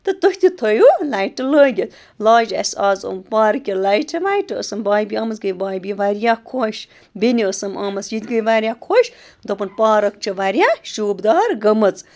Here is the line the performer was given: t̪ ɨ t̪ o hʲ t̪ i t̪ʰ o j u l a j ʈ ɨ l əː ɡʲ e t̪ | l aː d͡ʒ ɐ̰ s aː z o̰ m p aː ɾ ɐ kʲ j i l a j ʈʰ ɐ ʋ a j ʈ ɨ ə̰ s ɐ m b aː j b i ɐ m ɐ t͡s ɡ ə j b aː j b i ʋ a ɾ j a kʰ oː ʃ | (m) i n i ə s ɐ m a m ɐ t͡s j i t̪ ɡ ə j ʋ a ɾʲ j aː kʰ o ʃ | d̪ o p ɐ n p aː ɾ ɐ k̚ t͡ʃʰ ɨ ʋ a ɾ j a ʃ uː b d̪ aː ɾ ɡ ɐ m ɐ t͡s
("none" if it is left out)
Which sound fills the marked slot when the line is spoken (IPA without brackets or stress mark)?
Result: b